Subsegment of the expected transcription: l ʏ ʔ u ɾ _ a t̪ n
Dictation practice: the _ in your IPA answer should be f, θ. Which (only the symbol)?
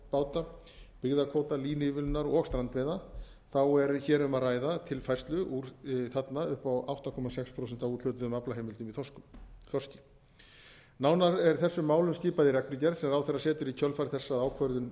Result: θ